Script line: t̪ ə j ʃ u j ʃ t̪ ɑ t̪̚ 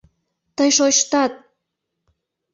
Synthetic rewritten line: t̪ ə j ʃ o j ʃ t̪ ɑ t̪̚